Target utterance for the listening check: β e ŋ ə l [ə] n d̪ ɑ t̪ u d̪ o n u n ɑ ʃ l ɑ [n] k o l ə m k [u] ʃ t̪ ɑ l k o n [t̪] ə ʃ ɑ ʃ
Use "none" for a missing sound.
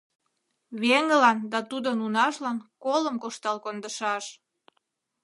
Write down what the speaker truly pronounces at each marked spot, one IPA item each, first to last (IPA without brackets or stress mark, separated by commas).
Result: ɑ, n, o, d̪